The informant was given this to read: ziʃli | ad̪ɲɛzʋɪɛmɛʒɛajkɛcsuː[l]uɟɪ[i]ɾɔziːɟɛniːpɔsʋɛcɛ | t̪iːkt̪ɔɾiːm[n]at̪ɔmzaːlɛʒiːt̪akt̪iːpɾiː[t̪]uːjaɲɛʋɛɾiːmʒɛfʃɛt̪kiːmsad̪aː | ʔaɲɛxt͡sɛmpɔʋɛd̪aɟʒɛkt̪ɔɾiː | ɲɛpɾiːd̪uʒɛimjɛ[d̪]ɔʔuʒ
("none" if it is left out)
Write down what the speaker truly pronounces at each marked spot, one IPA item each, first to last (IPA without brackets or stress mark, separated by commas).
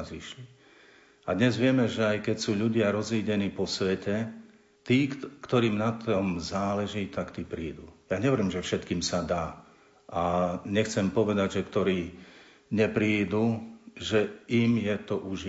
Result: ʎ, a, n, d̪, t̪